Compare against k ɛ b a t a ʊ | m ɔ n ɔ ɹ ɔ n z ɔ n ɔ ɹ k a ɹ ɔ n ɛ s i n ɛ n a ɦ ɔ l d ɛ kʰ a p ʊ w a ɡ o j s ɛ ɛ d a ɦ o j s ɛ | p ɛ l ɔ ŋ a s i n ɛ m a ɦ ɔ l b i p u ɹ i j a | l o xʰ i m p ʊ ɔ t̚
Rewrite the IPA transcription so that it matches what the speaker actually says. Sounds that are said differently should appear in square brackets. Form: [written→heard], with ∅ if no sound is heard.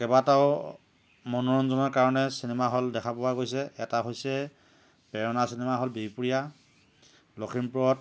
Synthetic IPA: k ɛ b a t a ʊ | m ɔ n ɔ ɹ ɔ n z ɔ n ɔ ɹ k a ɹ ɔ n ɛ s i n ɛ [n→m] a ɦ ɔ l d ɛ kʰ a p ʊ w a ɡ o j s ɛ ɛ [d→t] a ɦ o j s ɛ | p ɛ [l→ɹ] ɔ [ŋ→n] a s i n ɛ m a ɦ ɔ l b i p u ɹ i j a | l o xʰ i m p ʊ ɔ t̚